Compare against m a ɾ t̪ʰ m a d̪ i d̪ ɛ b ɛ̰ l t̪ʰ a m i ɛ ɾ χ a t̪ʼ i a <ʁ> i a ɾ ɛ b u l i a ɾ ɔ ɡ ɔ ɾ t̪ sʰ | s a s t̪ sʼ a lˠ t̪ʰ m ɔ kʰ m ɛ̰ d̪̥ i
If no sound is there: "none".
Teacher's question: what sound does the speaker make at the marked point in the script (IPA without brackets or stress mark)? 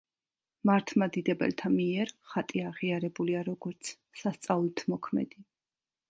ʁ